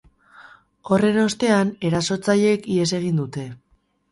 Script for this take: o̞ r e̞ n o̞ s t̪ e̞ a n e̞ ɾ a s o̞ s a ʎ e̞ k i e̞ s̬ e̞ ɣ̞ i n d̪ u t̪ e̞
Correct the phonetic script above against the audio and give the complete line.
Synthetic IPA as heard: o̞ r e̞ n o̞ s t̪ e̞ a n e̞ ɾ a s o̞ t͡s a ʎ e̞ k i e̞ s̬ e̞ ɣ̞ i n d̪ u t̪ e̞